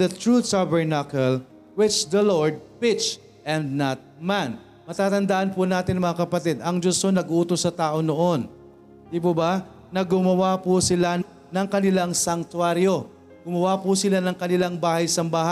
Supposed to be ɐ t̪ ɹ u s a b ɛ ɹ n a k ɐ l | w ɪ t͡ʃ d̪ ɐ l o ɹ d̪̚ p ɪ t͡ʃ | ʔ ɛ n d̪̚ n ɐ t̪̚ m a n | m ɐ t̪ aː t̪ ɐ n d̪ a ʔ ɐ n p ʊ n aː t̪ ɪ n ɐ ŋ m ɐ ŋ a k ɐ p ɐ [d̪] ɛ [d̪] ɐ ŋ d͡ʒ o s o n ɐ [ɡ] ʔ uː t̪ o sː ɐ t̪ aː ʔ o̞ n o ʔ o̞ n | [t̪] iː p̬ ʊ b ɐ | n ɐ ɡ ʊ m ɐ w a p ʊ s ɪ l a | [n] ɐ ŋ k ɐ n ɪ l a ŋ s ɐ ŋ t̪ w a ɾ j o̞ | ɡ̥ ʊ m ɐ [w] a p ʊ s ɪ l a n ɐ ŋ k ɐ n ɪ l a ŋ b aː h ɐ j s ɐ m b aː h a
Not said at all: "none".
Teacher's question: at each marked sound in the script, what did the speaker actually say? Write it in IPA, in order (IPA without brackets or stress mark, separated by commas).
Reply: t̪, d̪, ɡ, d̪, n, w